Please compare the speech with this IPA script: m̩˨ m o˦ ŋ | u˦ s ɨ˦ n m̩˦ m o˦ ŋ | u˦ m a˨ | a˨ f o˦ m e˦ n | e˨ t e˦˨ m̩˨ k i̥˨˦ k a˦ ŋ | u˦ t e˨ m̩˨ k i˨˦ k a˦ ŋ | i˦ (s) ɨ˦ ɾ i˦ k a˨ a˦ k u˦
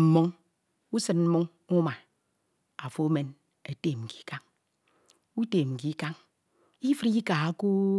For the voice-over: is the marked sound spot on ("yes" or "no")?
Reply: no